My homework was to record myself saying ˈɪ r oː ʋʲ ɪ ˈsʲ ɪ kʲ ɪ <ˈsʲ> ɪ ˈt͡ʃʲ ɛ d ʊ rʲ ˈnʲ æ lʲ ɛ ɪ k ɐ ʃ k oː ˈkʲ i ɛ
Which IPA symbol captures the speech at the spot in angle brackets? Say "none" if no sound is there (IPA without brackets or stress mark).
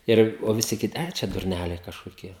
tʲ